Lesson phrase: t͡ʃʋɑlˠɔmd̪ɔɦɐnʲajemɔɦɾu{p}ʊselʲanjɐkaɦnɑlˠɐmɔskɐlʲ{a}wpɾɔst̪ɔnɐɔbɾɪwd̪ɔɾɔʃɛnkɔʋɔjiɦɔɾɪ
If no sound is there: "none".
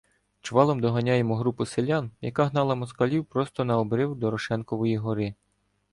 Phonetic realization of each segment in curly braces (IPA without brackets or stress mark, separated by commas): p, i